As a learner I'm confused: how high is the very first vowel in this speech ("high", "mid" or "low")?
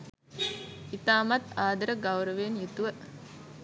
high